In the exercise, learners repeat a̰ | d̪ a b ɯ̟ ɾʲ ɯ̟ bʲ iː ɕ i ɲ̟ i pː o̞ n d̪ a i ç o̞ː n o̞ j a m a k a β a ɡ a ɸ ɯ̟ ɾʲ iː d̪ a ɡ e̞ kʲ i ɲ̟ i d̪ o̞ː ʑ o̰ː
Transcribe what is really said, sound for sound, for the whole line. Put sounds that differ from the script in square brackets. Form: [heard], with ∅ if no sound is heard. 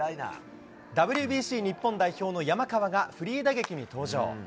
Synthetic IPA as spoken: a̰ | d̪ a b ɯ̟ ɾʲ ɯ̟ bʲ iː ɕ [iː] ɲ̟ i pː [õ̞] n d̪ a i ç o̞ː n o̞ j a m a k a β a ɡ a ɸ ɯ̟ ɾʲ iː d̪ a ɡ e̞ kʲ i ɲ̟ i [t̪] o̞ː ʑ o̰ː